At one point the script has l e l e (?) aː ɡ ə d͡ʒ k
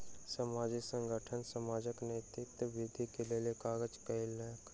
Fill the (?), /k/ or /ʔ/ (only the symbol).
k